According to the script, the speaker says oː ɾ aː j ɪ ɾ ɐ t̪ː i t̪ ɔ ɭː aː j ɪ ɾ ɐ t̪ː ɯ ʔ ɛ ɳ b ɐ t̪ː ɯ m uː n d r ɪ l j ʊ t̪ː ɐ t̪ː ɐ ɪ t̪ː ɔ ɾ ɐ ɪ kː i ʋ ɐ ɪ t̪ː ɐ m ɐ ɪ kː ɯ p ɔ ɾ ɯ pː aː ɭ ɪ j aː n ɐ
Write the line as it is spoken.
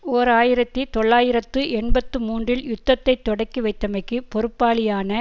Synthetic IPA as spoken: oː ɾ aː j ɪ ɾ ɐ t̪ː i t̪ ɔ ɭː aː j ɪ ɾ ɐ t̪ː ɯ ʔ ɛ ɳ b ɐ t̪ː ɯ m uː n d r ɪ l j ʊ t̪ː ɐ t̪ː ɐ ɪ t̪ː ɔ ɽ ɐ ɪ kː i ʋ ɐ ɪ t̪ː ɐ m ɐ ɪ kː ɯ p ɔ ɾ ɯ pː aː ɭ ɪ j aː n ɐ